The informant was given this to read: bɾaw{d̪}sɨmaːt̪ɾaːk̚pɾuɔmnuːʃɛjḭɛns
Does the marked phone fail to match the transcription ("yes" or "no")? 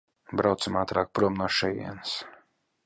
yes